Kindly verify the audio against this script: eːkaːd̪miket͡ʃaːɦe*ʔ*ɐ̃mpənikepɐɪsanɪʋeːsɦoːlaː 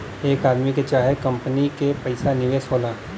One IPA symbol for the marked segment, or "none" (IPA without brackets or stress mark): k